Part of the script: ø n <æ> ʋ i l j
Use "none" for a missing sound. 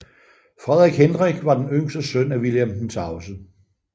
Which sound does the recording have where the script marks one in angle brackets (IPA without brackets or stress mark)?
æ